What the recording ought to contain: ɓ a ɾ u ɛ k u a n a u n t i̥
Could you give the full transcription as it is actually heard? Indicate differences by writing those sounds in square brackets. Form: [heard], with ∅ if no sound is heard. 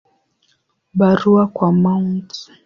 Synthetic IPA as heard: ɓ a ɾ u [a] k [w] a [m] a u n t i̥